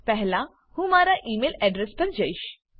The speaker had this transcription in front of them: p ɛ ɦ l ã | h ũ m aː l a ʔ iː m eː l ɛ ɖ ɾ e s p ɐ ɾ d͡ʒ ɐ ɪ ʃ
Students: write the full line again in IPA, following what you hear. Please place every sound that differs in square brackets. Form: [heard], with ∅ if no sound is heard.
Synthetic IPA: p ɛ ɦ l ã | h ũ m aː [ɾ] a ʔ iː m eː l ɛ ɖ ɾ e s p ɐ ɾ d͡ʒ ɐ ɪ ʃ